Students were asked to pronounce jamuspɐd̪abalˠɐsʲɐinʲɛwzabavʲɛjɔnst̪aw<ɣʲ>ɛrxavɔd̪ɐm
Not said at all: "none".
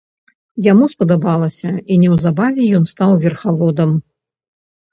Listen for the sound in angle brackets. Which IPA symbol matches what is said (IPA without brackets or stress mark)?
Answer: vʲ